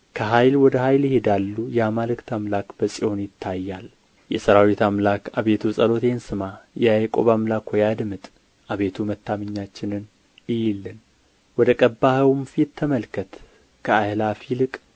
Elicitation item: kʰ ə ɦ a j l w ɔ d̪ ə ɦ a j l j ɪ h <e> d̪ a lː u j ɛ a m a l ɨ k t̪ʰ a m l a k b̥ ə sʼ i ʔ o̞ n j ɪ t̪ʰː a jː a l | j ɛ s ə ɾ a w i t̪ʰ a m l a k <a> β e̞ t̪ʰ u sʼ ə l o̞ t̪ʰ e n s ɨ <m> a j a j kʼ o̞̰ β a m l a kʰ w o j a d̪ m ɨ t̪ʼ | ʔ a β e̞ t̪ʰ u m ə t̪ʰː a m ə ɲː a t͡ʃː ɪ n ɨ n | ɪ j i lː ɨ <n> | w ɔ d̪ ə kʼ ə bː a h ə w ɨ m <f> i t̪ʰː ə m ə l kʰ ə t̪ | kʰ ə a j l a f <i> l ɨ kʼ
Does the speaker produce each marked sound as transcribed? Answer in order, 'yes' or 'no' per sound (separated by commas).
yes, yes, yes, yes, yes, yes